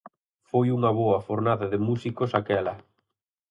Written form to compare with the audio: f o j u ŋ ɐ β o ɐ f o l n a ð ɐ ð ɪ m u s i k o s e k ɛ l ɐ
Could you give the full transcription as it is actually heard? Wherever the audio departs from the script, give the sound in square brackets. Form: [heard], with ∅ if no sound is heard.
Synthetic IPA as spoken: f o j u ŋ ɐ β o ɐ f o [ɾ] n a ð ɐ ð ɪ m u s i k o s [a] k ɛ l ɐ